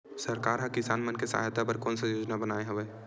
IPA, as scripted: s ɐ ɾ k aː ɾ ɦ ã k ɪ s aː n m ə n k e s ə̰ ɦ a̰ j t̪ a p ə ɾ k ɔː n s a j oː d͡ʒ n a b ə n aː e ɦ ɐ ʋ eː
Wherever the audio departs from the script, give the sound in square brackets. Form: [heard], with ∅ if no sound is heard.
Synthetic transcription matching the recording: s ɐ ɾ k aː ɾ ɦ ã k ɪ s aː n m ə n k e s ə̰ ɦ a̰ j t̪ a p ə ɾ k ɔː n s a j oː d͡ʒ n a b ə n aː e ɦ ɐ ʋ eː